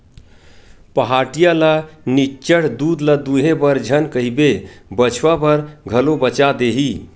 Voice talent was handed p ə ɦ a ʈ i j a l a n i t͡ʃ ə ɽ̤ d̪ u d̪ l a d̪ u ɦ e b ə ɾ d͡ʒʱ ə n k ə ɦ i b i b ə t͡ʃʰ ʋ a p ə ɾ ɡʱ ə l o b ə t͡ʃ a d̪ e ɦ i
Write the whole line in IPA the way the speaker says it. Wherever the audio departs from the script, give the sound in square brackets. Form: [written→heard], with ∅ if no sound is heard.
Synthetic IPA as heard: p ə ɦ a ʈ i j a l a n i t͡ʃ ə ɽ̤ d̪ u d̪ l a d̪ u ɦ e b ə ɾ d͡ʒʱ ə n k ə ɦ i b [i→e] b ə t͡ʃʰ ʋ a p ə ɾ ɡʱ ə l o b ə t͡ʃ a d̪ e ɦ i